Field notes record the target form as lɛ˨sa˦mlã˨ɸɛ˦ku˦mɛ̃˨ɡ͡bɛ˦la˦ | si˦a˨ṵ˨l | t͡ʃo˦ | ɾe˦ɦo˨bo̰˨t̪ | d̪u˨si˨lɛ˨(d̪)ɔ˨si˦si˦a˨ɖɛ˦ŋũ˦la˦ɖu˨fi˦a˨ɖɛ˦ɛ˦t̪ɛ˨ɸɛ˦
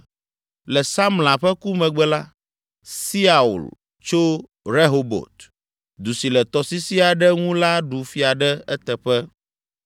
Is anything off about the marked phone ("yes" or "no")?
yes